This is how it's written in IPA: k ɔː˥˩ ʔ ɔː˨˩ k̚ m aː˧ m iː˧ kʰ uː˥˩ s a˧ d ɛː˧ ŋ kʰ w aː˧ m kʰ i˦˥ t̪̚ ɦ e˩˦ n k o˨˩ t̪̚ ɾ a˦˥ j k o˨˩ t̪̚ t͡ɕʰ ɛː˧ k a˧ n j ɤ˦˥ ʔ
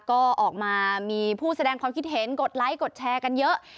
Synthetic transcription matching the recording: k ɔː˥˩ ʔ ɔː˨˩ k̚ m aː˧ m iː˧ pʰ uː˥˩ s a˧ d ɛː˧ ŋ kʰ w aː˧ m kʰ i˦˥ t̪̚ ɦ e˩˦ n k o˨˩ t̪̚ l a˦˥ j k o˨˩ t̪̚ t͡ɕʰ ɛː˧ k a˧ n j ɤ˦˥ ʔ